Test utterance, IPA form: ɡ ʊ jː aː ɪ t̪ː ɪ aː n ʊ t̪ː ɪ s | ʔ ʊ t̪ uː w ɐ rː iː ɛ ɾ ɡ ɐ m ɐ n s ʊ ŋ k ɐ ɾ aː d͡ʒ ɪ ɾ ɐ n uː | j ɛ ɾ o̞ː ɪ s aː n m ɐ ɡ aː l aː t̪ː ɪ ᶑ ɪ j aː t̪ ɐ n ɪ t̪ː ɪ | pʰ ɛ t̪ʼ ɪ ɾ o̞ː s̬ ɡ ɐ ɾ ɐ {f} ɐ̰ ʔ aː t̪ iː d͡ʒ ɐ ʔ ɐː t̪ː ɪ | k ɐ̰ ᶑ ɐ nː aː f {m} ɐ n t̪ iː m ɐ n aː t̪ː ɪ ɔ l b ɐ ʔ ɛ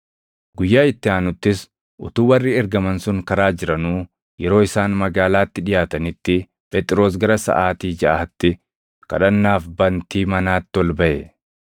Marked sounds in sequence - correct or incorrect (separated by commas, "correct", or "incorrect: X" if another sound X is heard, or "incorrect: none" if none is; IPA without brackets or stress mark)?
incorrect: s, incorrect: b